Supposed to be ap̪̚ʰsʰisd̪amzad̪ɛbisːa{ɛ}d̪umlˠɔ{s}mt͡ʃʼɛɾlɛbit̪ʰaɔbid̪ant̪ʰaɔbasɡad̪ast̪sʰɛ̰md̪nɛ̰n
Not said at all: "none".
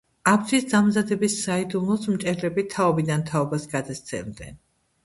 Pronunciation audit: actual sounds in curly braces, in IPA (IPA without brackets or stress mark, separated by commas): i, s